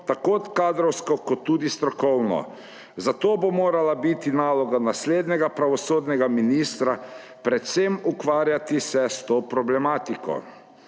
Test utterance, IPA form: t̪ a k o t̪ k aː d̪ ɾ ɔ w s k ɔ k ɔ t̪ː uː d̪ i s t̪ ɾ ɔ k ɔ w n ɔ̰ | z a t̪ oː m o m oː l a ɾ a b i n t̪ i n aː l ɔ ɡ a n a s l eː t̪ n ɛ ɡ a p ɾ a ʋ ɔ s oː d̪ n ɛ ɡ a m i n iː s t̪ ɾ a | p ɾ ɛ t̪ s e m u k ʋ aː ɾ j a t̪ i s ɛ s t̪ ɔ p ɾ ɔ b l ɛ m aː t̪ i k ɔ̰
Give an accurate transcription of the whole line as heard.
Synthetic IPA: t̪ a k o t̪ k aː d̪ ɾ ɔ w s k ɔ k ɔ t̪ː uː d̪ i s t̪ ɾ ɔ k ɔ w n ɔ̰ | z a t̪ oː b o m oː ɾ a l a b i t̪ i n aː l ɔ ɡ a n a s l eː d̪ n ɛ ɡ a p ɾ a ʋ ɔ s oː d̪ n ɛ ɡ a m i n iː s t̪ ɾ a | p ɾ ɛ t̪ s e m u k ʋ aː ɾ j a t̪ i s ɛ s t̪ o p ɾ ɔ b l ɛ m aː t̪ i k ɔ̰